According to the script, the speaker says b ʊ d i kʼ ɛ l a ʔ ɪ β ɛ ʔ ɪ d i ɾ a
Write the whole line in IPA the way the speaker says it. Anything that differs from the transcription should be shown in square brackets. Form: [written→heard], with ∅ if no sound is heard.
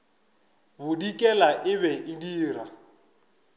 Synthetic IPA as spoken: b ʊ d i kʼ ɛ l a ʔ ɪ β ɛ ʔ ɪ d [i→iː] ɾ a